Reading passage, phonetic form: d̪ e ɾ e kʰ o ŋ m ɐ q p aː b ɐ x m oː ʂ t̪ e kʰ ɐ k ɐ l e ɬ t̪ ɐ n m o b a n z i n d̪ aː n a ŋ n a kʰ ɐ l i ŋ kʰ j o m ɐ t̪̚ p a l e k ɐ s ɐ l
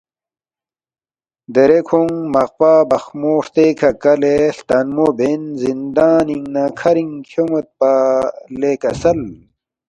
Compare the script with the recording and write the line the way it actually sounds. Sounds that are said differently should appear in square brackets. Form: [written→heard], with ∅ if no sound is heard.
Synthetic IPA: d̪ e ɾ e kʰ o ŋ m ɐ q p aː b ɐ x m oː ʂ t̪ e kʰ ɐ k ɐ l e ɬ t̪ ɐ n m o b [a→e] n z i n d̪ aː n [a→i] ŋ n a kʰ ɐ [l→ɾ] i ŋ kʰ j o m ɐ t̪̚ p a l e k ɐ s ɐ l